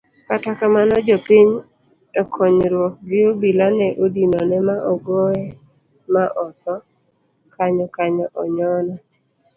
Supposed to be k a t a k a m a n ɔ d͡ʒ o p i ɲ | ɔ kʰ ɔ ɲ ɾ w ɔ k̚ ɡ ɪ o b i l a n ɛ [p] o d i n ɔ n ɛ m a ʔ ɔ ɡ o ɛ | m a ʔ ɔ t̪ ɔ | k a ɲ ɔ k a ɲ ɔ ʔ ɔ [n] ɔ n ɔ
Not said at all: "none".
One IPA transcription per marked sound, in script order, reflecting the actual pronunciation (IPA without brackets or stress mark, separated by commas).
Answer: ʔ, ɲ